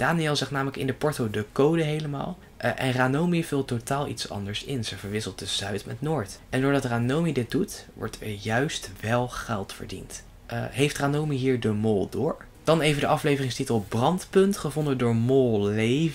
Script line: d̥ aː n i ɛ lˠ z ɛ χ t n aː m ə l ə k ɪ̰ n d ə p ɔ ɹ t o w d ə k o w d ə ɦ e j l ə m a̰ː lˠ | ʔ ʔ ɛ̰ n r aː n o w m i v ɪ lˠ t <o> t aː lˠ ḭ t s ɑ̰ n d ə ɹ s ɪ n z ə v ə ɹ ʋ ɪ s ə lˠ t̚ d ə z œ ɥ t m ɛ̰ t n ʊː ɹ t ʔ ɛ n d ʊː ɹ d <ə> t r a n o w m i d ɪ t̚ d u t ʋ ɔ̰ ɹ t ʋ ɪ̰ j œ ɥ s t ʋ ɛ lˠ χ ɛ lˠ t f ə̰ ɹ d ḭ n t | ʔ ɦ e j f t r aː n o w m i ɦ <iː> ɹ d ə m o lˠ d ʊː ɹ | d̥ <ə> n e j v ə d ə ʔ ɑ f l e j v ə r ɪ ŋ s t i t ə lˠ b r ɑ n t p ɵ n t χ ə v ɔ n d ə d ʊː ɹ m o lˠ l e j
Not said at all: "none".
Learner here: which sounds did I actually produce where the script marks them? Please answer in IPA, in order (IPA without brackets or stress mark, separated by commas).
o, ɑ, iː, ɑ